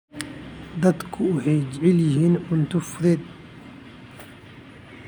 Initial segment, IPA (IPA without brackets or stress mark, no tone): d̪